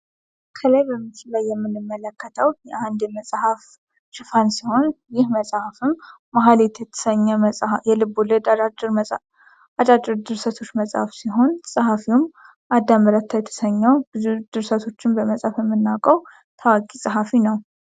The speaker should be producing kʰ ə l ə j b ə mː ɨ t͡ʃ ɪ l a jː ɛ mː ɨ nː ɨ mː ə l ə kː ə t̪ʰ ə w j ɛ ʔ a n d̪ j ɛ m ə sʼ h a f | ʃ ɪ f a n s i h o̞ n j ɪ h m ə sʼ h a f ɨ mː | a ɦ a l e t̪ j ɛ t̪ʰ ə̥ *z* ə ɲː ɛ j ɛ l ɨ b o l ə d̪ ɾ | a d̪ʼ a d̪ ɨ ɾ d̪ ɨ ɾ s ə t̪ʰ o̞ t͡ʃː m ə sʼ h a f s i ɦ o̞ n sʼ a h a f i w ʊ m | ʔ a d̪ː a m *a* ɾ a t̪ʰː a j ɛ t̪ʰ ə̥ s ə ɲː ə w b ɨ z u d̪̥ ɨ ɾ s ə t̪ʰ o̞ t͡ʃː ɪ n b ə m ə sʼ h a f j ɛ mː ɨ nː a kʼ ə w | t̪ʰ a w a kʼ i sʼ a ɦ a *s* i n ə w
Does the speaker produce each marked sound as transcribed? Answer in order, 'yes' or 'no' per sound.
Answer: no, no, no

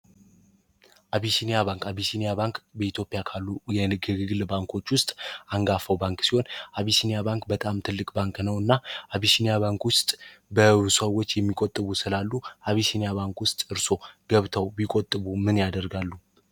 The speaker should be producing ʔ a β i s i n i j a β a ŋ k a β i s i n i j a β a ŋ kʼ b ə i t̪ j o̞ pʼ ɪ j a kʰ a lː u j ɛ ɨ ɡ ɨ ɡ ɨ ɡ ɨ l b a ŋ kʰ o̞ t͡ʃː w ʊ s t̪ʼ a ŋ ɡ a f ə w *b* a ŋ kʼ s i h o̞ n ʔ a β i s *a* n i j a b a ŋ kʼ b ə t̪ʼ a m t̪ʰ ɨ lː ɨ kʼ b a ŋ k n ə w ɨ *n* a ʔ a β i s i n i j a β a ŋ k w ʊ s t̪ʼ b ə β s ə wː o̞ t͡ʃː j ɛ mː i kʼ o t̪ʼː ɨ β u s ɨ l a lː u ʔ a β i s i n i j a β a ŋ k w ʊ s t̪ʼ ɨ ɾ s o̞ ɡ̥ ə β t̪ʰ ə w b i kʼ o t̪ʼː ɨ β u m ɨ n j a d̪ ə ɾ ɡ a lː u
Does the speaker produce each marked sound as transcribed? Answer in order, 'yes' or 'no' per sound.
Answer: yes, no, no

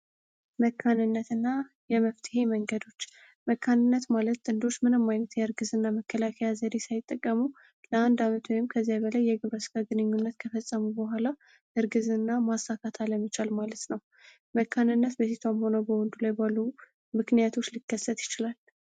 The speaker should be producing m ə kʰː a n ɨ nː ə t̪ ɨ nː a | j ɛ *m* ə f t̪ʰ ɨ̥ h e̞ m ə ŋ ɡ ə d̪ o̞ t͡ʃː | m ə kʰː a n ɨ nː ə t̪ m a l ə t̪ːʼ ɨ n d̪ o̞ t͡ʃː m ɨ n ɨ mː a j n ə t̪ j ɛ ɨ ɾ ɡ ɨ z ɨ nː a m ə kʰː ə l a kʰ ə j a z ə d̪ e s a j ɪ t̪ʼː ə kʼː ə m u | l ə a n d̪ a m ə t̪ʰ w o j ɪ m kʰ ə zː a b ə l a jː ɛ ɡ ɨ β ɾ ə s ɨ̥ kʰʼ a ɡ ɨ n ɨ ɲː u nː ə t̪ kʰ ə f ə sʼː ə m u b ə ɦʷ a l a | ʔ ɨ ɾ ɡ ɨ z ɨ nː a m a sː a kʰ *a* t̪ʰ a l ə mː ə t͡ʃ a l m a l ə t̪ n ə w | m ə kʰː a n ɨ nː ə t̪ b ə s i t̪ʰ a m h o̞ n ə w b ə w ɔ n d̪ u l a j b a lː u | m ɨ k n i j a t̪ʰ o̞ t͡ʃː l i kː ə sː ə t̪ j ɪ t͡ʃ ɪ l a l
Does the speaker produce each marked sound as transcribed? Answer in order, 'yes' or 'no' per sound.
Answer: yes, yes

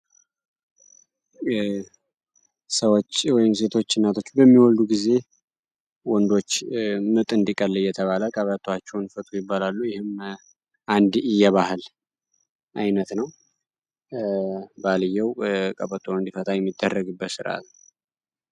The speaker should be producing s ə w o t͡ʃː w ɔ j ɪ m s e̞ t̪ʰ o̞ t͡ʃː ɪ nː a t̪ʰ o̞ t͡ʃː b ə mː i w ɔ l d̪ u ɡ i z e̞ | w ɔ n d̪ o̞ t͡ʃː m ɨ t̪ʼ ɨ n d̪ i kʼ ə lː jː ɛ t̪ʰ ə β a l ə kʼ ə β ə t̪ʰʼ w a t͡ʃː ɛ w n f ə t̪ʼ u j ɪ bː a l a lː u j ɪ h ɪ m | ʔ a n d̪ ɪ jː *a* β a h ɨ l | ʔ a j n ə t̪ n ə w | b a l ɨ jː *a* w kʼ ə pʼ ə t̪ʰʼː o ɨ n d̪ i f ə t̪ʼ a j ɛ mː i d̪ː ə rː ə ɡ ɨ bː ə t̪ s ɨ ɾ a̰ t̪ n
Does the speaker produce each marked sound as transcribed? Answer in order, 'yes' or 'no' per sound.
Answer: no, no

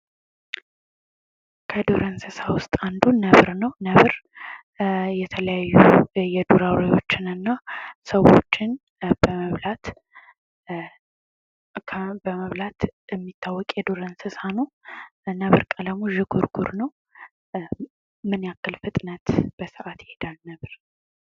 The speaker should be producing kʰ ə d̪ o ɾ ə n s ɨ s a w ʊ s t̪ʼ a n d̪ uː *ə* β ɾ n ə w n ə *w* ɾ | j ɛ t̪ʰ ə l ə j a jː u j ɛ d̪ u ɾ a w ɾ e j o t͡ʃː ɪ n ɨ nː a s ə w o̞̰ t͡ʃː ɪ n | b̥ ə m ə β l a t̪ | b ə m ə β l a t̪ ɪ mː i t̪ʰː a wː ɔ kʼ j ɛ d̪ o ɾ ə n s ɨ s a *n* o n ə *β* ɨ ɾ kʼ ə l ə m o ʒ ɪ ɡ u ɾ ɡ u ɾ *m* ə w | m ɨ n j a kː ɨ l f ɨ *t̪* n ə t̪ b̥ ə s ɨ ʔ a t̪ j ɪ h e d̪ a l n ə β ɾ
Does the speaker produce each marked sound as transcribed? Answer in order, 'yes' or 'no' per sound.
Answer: yes, no, yes, yes, no, no

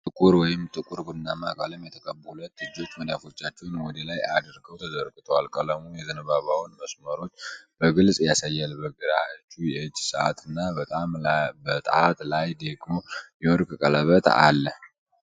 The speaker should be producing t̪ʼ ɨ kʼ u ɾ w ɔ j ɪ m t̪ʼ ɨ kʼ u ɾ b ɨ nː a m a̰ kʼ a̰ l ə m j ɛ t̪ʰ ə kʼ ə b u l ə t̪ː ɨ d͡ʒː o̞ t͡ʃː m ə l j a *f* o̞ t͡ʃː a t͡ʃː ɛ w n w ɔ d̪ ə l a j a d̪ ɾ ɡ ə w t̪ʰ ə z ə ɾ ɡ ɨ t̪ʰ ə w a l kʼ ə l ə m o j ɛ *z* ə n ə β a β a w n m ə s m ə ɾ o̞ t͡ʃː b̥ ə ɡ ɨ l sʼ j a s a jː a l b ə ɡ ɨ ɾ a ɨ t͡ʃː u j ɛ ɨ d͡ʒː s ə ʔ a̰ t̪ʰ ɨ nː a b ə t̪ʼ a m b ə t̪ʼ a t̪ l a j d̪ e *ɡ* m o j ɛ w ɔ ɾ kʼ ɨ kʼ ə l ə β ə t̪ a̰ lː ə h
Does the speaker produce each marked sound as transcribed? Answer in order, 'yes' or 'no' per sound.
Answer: yes, yes, yes

